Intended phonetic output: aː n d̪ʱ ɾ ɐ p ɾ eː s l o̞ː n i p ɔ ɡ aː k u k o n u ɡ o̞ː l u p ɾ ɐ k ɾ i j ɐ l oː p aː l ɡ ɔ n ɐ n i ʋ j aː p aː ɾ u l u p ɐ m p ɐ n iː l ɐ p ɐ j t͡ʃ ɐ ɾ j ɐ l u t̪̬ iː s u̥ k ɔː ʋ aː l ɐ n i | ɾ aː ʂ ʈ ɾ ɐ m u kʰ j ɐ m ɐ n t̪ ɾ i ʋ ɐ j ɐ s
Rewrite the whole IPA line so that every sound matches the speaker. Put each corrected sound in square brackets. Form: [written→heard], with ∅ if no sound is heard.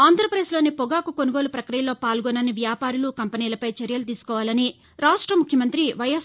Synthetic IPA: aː n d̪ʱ ɾ ɐ p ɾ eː s l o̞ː n i p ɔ ɡ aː k u k o n u ɡ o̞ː l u p ɾ ɐ k ɾ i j ɐ l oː p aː l ɡ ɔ n ɐ n i ʋ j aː p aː ɾ u l u [p→k] ɐ m p ɐ n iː l ɐ p ɐ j t͡ʃ ɐ ɾ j ɐ l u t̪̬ iː s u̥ k ɔː ʋ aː l ɐ n i | ɾ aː ʂ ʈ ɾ ɐ m u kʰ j ɐ m ɐ n t̪ ɾ i ʋ ɐ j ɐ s